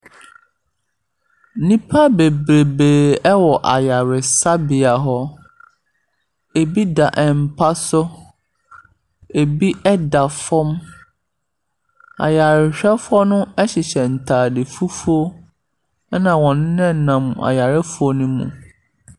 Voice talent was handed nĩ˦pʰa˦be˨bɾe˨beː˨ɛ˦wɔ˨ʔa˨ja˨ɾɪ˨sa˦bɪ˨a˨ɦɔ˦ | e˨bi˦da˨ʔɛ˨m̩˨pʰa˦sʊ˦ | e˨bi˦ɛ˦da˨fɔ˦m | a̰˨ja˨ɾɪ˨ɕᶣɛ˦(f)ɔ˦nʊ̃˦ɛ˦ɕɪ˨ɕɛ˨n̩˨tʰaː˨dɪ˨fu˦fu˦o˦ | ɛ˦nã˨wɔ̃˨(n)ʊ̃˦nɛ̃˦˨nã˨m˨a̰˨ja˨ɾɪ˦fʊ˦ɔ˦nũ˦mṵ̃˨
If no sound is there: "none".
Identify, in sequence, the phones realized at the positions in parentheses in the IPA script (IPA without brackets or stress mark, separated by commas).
f, n